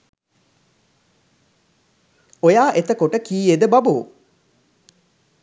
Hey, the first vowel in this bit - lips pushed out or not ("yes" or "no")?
yes